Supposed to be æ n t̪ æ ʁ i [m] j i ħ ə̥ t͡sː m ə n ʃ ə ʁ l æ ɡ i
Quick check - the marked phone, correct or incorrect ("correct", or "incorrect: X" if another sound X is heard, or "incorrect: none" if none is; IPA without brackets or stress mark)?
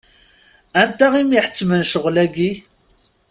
correct